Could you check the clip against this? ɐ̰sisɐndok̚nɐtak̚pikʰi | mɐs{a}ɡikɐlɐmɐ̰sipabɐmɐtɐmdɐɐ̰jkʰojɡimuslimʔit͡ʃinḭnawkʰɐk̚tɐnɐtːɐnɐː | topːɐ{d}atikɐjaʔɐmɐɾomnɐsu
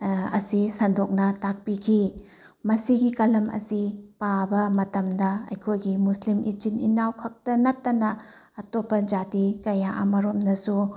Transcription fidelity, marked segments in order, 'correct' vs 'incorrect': incorrect: i, incorrect: d͡ʒ

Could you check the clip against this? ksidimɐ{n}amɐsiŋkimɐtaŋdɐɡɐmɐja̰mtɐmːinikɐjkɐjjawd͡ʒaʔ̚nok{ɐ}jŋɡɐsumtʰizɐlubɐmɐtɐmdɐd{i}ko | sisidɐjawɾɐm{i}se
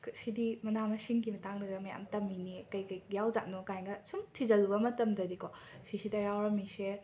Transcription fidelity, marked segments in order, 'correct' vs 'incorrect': correct, incorrect: a, correct, correct

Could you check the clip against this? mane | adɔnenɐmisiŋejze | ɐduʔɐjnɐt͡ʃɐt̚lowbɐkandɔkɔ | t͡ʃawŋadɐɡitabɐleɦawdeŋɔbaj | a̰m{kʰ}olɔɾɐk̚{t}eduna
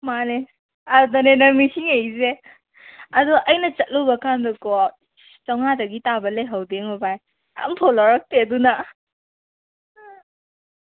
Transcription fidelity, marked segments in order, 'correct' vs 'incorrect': incorrect: tʰ, correct

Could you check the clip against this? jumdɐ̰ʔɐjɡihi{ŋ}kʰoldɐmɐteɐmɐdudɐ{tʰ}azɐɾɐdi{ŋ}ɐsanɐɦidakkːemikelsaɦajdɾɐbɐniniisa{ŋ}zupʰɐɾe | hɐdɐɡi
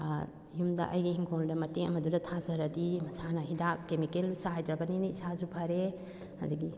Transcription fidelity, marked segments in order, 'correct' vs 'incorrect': correct, correct, incorrect: m, incorrect: none

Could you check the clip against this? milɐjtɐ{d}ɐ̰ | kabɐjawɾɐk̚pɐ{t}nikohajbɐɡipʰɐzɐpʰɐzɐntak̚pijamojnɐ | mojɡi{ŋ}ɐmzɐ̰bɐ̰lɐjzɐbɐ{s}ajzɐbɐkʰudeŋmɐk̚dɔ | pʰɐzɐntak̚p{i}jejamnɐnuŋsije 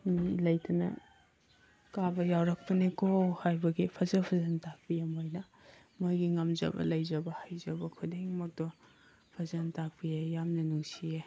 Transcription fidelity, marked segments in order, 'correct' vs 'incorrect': incorrect: n, incorrect: none, correct, incorrect: h, correct

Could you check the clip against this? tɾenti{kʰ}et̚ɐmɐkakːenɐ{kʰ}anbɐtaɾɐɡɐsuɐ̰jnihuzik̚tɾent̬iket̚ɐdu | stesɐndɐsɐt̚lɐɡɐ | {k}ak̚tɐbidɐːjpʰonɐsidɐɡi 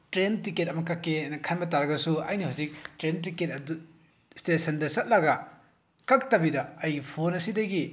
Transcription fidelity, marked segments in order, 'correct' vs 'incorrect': incorrect: k, correct, correct

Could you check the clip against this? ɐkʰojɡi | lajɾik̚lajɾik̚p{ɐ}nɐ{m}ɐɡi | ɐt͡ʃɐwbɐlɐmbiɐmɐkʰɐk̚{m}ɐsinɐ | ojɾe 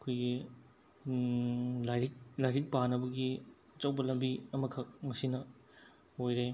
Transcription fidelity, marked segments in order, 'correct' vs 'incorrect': incorrect: a, incorrect: b, correct

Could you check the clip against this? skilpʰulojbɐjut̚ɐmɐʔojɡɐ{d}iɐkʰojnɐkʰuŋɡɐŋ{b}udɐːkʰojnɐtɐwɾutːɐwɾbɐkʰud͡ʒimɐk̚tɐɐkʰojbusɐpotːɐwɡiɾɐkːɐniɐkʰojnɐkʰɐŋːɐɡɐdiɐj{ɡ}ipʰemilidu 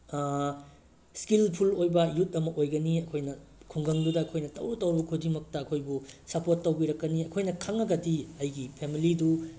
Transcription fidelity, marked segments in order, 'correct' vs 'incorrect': incorrect: n, incorrect: d, correct

